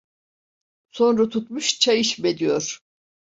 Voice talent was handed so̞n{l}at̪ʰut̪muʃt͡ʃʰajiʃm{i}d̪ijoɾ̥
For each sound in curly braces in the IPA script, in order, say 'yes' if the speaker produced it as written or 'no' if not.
no, no

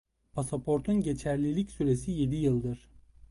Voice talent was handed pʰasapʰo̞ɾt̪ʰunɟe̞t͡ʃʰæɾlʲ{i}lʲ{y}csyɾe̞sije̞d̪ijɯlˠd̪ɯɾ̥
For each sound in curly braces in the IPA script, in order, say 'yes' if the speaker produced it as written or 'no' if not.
yes, no

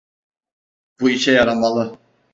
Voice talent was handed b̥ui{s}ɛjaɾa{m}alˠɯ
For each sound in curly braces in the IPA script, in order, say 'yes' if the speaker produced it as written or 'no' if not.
no, yes

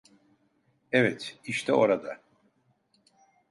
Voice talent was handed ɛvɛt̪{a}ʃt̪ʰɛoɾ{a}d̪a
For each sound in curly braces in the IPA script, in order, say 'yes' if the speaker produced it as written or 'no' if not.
no, yes

